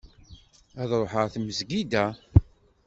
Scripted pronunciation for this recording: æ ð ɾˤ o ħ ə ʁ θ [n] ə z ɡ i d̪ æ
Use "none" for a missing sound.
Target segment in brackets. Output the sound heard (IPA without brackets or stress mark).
m